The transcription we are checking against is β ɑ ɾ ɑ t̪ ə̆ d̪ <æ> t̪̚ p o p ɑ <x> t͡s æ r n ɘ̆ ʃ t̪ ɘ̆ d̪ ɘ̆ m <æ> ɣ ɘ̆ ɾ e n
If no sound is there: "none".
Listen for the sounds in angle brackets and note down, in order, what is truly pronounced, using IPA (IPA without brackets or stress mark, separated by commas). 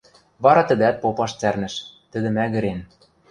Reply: æ, ʃ, æ